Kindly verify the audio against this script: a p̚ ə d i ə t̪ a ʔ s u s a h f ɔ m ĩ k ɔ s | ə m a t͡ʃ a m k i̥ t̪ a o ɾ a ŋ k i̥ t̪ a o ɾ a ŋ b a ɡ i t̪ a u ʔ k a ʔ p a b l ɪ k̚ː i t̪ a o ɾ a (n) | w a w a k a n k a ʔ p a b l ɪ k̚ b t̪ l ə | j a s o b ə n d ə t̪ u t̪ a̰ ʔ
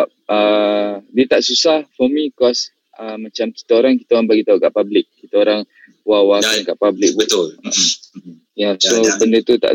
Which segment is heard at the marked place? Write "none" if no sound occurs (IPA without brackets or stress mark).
ŋ